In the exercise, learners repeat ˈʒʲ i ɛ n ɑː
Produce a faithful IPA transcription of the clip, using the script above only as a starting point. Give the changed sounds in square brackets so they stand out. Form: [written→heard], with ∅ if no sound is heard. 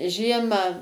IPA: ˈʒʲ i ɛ [n→m] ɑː